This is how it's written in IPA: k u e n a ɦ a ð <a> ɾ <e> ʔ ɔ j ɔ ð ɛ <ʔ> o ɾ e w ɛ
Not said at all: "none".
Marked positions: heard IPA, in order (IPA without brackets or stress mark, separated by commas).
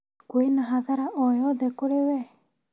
a, a, k